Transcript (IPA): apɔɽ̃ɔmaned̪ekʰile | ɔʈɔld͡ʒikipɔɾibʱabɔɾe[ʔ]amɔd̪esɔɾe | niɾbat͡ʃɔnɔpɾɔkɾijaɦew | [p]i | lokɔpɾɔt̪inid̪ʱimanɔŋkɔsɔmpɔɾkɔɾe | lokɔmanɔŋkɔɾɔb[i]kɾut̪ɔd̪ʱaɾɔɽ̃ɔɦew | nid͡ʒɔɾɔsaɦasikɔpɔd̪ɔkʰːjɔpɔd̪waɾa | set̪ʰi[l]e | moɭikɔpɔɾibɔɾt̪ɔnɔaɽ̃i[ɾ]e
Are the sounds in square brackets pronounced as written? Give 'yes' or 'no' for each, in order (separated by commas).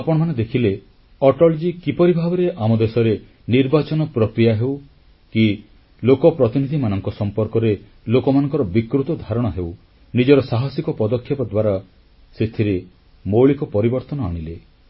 yes, no, yes, no, no